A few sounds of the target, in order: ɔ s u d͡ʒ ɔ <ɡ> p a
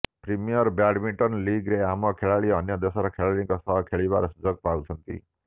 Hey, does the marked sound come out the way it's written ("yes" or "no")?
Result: yes